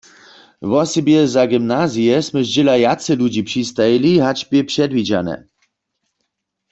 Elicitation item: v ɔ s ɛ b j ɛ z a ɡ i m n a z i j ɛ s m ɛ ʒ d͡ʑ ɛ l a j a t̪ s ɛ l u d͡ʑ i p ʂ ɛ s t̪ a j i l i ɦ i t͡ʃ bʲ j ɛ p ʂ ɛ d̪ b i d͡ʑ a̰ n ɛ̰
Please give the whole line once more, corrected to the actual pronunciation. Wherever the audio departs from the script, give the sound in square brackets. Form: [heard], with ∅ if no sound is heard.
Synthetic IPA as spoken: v ɔ s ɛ b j ɛ z a ɡ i m n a z i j ɛ s m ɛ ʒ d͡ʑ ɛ l a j a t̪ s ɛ l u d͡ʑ i p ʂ [i] s t̪ a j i l i ɦ [a] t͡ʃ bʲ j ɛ p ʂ ɛ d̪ [v] i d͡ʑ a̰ n ɛ̰